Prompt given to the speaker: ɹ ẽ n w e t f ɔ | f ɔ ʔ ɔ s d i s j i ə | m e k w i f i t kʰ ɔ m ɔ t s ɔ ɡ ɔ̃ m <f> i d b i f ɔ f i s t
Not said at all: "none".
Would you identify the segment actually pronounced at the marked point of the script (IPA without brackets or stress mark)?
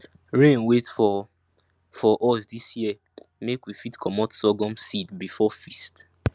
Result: s